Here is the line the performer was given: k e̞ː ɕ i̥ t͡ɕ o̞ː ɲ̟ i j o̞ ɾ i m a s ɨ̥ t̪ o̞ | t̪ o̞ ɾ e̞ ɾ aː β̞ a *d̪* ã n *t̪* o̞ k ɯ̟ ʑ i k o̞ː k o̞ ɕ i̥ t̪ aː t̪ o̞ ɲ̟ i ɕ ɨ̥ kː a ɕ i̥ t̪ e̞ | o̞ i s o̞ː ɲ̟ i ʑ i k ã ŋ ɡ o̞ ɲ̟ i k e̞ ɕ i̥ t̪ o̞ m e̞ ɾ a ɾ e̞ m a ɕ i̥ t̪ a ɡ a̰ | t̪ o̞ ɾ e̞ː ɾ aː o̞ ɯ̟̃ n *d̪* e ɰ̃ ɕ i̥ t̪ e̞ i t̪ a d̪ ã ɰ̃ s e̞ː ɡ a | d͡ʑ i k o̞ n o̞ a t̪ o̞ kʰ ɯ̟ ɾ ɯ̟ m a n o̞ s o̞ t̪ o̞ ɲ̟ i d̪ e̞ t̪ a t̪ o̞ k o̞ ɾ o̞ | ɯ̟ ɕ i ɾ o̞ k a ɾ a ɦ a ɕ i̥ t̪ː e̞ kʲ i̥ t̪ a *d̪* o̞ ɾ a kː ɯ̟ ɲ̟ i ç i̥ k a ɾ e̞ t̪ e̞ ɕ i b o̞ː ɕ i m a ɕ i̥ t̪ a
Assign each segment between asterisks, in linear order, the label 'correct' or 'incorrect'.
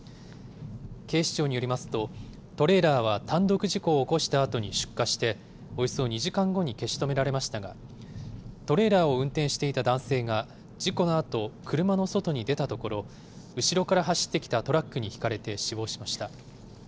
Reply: incorrect, incorrect, incorrect, incorrect

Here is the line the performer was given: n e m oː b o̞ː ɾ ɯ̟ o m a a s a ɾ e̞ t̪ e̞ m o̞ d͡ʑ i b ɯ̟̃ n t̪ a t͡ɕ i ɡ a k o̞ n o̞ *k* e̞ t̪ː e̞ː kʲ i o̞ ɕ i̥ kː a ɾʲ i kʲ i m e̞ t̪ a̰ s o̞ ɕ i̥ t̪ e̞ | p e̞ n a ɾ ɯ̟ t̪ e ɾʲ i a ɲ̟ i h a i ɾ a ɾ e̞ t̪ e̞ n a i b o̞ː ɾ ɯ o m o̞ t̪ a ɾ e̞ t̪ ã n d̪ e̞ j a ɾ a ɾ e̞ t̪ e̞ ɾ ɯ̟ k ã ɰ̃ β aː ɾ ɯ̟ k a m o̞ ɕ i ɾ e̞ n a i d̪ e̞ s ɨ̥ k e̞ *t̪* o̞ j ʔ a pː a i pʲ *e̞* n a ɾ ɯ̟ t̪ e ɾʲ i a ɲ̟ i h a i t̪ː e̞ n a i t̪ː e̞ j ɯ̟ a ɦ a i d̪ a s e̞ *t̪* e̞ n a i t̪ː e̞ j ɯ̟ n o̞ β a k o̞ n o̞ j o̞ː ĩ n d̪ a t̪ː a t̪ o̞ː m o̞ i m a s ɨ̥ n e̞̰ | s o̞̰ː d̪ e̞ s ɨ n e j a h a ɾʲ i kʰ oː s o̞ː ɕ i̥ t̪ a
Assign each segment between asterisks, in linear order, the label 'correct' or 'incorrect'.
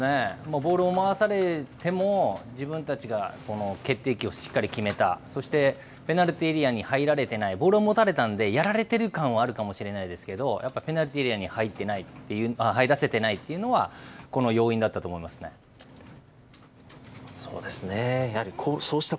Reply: correct, incorrect, correct, correct

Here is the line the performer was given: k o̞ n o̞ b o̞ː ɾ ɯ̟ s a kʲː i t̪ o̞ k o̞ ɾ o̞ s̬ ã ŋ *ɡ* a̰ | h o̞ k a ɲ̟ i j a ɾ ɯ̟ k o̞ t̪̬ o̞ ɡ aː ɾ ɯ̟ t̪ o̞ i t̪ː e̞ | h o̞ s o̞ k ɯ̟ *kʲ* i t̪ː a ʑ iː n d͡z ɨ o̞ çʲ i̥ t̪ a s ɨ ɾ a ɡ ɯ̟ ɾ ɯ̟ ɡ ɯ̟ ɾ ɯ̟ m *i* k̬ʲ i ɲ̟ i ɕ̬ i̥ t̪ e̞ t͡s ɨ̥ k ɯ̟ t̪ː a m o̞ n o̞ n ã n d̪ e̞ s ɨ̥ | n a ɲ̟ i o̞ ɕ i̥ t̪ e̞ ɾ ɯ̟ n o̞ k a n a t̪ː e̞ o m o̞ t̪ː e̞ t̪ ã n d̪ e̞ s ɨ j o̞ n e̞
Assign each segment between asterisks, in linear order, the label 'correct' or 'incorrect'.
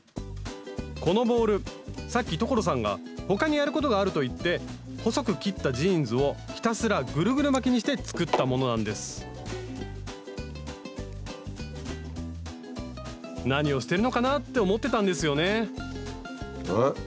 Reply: correct, correct, incorrect

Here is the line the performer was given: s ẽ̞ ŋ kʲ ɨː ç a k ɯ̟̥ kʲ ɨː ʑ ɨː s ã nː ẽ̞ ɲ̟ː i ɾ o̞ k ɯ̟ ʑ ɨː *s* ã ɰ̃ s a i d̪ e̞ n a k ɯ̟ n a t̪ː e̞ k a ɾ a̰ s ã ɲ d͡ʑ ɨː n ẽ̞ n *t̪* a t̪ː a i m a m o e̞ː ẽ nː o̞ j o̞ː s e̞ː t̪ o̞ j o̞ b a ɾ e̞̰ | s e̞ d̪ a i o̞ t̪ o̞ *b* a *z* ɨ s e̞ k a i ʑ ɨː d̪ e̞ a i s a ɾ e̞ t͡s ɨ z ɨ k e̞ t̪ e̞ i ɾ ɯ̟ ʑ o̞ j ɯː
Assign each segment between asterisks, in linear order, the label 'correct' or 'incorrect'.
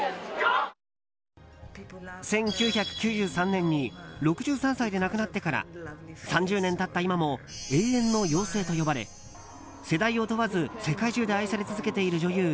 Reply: correct, correct, incorrect, correct

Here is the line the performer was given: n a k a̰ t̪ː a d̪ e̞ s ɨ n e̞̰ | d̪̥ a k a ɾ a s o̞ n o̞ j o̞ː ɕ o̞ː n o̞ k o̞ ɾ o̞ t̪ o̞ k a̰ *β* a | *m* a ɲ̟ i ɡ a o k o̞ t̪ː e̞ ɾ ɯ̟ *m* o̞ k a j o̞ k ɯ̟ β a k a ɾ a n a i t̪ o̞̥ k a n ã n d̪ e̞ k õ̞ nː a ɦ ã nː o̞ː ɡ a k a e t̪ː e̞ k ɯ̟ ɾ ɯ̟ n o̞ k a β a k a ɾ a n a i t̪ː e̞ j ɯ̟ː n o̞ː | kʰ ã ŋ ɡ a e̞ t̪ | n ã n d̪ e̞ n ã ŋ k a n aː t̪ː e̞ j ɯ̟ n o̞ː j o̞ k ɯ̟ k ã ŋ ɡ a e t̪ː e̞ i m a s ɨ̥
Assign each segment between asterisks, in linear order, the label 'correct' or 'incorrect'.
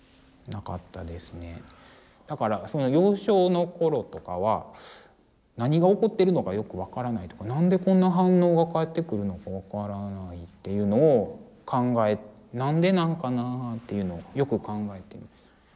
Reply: correct, incorrect, incorrect

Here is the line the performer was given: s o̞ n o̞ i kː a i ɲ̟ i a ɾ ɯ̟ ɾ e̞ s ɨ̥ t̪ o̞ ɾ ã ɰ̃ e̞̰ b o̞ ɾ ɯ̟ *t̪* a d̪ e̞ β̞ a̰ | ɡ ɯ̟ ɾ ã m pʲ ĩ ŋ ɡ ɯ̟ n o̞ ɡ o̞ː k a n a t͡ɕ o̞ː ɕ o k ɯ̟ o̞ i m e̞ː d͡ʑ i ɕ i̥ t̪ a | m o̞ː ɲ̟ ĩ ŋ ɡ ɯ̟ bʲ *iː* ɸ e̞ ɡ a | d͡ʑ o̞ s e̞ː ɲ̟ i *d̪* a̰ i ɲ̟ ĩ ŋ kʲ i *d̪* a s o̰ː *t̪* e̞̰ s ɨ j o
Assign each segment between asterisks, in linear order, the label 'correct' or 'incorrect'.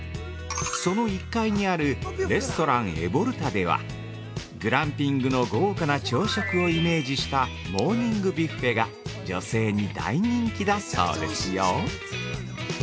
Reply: correct, incorrect, correct, correct, incorrect

